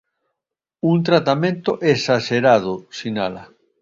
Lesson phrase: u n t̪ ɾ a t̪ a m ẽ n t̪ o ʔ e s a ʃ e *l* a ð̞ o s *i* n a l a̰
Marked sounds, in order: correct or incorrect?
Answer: incorrect, correct

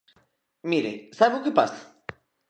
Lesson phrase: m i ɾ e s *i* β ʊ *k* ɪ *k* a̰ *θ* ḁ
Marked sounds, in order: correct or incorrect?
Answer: incorrect, correct, incorrect, incorrect

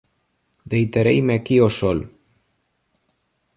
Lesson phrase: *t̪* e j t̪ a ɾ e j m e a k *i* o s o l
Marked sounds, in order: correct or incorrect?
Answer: incorrect, correct

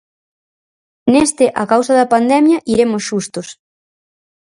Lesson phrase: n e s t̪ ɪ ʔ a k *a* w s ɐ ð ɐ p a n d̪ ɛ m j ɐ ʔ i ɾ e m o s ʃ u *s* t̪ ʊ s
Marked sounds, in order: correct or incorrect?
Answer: correct, correct

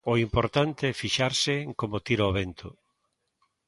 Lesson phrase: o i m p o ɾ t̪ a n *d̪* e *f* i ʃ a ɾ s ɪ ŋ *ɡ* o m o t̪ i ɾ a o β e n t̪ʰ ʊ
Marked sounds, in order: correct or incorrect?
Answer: incorrect, correct, incorrect

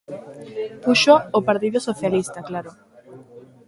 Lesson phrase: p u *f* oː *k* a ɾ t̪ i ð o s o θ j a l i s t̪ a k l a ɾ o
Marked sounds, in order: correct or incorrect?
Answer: incorrect, incorrect

